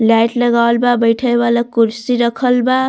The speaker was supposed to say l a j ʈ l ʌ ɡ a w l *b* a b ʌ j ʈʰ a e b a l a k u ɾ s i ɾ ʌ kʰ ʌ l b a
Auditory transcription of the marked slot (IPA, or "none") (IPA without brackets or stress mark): b